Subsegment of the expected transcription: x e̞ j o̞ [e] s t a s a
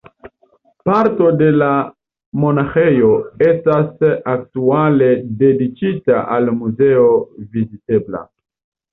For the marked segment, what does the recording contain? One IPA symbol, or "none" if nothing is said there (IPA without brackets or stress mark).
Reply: e